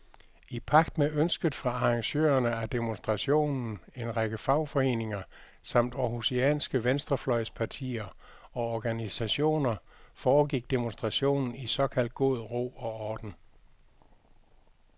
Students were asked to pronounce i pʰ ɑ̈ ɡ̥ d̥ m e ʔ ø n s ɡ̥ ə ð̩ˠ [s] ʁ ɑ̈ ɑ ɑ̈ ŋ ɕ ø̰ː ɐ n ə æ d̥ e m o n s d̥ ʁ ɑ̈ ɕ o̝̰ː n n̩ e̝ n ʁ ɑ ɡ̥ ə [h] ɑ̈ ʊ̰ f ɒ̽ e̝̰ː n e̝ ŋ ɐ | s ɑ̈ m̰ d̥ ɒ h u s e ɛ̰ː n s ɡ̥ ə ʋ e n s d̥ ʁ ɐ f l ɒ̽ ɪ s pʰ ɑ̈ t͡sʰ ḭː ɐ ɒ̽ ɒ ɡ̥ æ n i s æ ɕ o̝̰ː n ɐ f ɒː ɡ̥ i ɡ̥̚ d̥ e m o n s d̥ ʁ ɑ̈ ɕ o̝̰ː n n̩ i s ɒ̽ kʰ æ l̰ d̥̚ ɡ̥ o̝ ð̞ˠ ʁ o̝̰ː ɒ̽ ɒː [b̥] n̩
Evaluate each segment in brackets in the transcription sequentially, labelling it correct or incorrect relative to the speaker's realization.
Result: incorrect, incorrect, incorrect

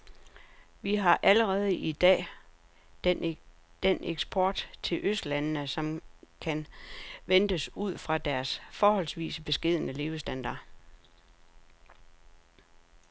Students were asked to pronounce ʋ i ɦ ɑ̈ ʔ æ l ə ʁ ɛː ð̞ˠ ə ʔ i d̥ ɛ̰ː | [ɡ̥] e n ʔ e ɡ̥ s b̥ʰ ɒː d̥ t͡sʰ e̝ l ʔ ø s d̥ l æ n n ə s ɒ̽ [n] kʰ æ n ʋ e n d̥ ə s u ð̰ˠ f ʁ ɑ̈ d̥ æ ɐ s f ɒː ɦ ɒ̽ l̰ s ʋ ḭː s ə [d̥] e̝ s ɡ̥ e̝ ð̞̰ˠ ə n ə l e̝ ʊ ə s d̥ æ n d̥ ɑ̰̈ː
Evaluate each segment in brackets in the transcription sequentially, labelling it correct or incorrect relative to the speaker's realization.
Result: incorrect, incorrect, incorrect

